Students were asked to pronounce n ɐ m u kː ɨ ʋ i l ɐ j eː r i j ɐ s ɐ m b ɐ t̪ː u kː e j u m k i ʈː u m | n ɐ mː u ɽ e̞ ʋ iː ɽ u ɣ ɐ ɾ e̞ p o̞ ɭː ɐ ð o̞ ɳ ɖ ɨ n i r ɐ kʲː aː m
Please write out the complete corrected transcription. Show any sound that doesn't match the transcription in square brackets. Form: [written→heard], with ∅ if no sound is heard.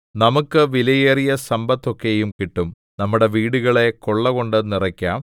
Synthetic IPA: n ɐ m u kː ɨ ʋ i l ɐ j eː r i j ɐ s ɐ m b ɐ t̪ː [u→o] kː e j u m k i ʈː u m | n ɐ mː u ɽ e̞ ʋ iː ɽ u ɣ ɐ [ɾ→ɭ] e̞ [p→k] o̞ ɭː ɐ [ð→ɣ] o̞ ɳ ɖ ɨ n i r ɐ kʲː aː m